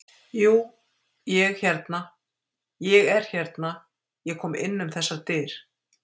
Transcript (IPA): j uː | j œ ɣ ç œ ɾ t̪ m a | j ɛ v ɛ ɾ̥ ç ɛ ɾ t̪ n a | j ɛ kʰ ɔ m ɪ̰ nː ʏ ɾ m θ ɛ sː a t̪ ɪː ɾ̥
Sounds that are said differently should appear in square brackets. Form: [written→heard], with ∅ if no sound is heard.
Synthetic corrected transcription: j uː | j [œ→ɛ] ɣ ç [œ→ɛ] ɾ t̪ [m→n] a | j ɛ [v→ɣ] ɛ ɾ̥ ç ɛ ɾ t̪ n a | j ɛ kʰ [ɔ→ɔː] m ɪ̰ nː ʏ [ɾ→∅] m θ ɛ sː a t̪ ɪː ɾ̥

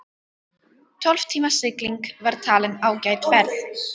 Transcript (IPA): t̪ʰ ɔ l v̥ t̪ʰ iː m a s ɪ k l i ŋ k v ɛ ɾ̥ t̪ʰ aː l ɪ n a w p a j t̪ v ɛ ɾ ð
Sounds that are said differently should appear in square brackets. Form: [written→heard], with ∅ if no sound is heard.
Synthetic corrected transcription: t̪ʰ ɔ l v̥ t̪ʰ iː m a s ɪ k l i ŋ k v [ɛ→a] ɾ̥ t̪ʰ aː l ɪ n a w [p→c] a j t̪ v ɛ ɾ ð

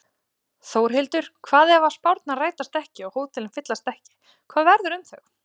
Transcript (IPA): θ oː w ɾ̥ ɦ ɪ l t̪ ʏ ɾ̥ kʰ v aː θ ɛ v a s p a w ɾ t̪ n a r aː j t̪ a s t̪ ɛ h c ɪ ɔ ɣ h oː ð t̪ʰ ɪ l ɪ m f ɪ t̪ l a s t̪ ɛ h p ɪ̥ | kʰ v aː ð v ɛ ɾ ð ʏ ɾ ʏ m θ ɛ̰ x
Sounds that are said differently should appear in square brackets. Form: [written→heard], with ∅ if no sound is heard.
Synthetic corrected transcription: θ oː w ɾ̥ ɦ ɪ l t̪ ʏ ɾ̥ kʰ v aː [θ→ð] ɛ v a s p a w ɾ t̪ n a r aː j t̪ a s t̪ ɛ h c ɪ ɔ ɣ h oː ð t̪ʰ ɪ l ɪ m f ɪ t̪ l a s t̪ ɛ h [p→c] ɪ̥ | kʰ v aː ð v ɛ ɾ ð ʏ ɾ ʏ m θ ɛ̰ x

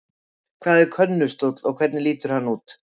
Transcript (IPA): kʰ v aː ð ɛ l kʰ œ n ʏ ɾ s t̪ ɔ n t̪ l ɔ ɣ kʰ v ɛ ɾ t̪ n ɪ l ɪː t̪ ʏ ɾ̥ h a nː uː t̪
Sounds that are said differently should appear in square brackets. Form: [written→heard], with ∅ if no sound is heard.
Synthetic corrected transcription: kʰ v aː ð ɛ [l→ɾ] kʰ œ [n→nː] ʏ [ɾ→∅] s t̪ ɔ [n→∅] t̪ l ɔ ɣ kʰ v ɛ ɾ t̪ n ɪ l [ɪː→iː] t̪ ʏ ɾ̥ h a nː uː t̪

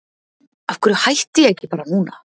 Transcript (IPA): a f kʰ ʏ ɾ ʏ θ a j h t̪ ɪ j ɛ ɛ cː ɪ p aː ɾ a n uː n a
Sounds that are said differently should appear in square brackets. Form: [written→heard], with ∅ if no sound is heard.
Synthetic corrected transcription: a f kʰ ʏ ɾ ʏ [θ→h] a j h t̪ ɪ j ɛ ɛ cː ɪ p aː ɾ a n uː n a

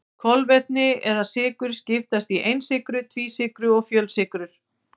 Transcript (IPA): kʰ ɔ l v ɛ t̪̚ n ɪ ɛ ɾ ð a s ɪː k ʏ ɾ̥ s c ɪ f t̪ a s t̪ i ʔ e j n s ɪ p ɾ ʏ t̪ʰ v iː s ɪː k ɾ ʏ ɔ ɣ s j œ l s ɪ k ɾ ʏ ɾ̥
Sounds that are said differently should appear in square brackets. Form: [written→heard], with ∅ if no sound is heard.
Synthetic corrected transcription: kʰ ɔ l v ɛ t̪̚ n ɪ ɛ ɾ ð a s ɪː k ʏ ɾ̥ s c ɪ f t̪ a s t̪ i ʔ e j n s ɪ [p→k] ɾ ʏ t̪ʰ v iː s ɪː k ɾ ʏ ɔ ɣ [s→f] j œ l s ɪ k ɾ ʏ ɾ̥

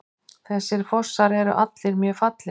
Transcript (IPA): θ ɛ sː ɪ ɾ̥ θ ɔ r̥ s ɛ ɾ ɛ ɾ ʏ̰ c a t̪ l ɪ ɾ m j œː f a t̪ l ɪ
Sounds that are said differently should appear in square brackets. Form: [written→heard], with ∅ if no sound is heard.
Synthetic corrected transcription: θ ɛ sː ɪ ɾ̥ [θ→f] ɔ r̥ s [ɛ→a] ɾ ɛ ɾ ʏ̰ [c→ʔ] a t̪ l ɪ ɾ m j œː f a t̪ l ɪ

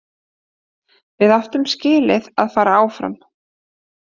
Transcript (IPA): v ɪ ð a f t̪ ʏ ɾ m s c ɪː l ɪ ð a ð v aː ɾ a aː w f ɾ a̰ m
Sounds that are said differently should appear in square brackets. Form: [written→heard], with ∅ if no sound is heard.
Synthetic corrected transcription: v ɪ ð a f t̪ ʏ [ɾ→∅] m s c ɪː l ɪ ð a ð [v→f] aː ɾ a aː w f ɾ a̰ m

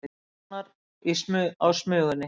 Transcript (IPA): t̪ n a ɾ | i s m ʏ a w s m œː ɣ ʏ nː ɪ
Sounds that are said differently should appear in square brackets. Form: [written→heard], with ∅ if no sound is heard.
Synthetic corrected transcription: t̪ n a ɾ | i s m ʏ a w s m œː ɣ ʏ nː ɪ

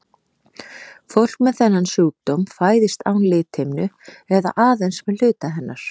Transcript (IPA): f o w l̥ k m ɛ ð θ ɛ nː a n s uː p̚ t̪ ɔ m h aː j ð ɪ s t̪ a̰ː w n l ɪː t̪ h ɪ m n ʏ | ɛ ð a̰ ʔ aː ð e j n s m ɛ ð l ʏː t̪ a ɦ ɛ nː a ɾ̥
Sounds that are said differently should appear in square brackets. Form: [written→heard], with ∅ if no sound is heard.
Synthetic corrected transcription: f o w l̥ k m ɛ ð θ ɛ nː a n s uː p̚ t̪ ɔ m [h→f] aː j ð ɪ s t̪ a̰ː w n l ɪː t̪ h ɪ m n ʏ | ɛ ð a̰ ʔ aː ð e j n s m ɛ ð l ʏː t̪ a ɦ ɛ nː a ɾ̥

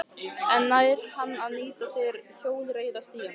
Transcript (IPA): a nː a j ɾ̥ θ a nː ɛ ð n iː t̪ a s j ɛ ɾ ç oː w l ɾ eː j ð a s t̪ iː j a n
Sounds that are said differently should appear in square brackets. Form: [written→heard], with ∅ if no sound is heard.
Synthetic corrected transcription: [a→ɛ] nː a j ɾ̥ [θ→h] a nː [ɛ→a] ð n iː t̪ a s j ɛ ɾ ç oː w l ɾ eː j ð a s t̪ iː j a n

